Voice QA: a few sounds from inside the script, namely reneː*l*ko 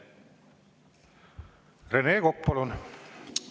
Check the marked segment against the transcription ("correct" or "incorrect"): incorrect